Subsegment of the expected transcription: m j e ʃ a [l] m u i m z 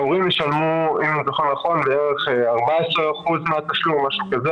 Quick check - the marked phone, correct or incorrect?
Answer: correct